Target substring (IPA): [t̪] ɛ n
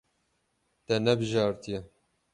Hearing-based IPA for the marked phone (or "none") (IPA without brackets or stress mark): t̪